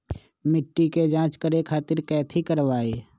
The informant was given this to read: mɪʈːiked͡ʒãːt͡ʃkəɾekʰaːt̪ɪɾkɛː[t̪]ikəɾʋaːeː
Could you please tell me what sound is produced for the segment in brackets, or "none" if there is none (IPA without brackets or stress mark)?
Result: t̪ʰ